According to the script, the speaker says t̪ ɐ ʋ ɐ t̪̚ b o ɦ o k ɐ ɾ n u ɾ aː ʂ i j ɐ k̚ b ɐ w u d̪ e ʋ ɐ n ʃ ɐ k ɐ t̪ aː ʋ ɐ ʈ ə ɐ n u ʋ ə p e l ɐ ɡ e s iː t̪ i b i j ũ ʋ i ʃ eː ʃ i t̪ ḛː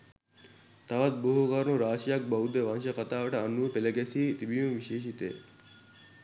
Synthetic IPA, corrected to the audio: t̪ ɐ ʋ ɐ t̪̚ b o ɦ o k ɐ ɾ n u ɾ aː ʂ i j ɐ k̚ b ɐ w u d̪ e ʋ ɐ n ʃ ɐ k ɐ t̪ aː ʋ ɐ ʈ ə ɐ n u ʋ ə p e l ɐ ɡ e s iː t̪ i b i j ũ ʋ i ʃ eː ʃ i t̪ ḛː